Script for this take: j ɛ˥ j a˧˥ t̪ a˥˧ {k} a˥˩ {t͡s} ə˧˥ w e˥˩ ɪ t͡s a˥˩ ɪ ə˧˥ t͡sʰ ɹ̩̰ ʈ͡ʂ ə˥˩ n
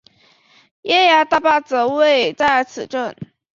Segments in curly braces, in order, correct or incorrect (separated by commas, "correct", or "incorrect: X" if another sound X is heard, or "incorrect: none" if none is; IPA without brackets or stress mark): incorrect: p, correct